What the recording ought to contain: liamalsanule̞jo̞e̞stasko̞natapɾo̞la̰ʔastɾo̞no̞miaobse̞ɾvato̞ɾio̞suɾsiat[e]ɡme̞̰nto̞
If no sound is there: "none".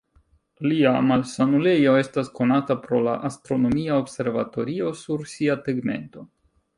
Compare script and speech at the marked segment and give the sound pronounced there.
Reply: e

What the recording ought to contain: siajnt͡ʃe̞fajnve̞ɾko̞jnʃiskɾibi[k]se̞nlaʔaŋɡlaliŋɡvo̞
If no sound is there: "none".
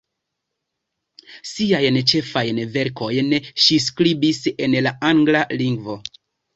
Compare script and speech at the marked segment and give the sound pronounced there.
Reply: none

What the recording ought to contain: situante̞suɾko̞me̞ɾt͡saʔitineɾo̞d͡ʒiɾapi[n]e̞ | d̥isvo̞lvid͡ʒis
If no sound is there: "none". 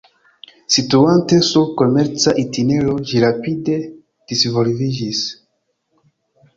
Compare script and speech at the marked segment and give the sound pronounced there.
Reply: d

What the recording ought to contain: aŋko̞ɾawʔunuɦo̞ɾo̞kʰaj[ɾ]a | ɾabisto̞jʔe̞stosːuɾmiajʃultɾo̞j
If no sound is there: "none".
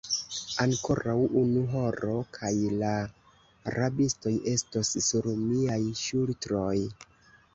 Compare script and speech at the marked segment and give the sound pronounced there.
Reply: l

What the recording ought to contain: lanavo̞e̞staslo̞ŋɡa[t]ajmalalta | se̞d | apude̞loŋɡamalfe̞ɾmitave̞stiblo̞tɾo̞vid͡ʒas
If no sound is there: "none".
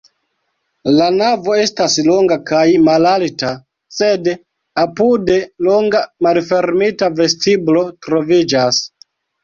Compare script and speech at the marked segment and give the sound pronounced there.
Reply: k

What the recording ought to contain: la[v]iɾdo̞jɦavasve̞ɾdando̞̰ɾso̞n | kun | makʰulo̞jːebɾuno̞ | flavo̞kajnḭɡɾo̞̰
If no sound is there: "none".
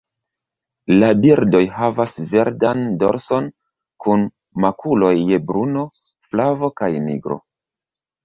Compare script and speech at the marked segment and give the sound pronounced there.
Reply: b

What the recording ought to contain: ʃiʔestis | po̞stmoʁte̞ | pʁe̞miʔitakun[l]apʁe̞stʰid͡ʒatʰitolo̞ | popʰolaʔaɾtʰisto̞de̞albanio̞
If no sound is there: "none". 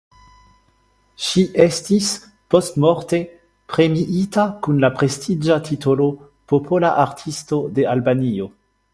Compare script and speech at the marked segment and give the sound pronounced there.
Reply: l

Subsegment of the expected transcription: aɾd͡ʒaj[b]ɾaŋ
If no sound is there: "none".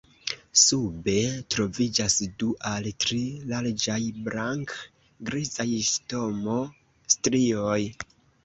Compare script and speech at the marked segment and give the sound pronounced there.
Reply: b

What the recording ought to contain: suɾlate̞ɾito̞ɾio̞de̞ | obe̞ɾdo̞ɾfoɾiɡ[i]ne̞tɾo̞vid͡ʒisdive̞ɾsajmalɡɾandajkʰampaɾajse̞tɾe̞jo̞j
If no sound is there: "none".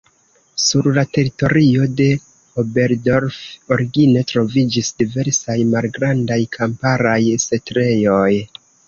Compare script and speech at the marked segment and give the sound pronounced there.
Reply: i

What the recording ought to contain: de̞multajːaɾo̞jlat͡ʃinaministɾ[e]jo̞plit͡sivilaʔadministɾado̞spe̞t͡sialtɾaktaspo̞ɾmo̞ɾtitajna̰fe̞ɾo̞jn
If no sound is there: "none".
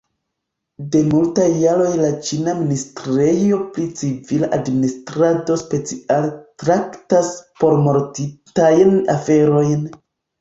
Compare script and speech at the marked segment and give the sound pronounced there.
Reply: e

